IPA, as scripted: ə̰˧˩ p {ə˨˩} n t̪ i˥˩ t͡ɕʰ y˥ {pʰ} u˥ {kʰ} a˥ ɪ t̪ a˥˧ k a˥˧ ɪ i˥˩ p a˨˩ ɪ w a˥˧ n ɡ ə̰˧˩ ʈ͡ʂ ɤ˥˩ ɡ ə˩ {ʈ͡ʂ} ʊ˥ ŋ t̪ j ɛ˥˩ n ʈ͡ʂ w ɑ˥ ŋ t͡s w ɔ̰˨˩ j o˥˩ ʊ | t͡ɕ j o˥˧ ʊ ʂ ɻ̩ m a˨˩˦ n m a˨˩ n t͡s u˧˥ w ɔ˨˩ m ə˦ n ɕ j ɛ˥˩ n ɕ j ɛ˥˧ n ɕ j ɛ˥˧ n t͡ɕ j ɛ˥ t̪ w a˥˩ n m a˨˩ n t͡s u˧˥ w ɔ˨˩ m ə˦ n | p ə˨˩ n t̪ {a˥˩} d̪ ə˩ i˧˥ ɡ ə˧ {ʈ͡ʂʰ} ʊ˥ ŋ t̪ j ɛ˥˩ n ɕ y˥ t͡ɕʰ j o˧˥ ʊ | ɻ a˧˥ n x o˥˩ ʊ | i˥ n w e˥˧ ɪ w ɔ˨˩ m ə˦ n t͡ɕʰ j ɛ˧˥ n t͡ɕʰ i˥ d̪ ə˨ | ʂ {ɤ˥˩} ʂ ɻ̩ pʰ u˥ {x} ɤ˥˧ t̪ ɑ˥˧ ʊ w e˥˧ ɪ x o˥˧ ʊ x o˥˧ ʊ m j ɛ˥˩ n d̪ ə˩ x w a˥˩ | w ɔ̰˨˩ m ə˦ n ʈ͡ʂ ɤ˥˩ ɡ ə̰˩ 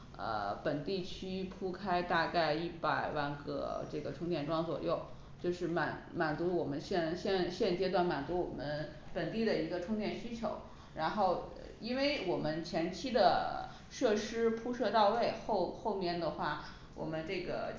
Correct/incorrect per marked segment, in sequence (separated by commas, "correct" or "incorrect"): correct, correct, correct, incorrect, incorrect, correct, correct, incorrect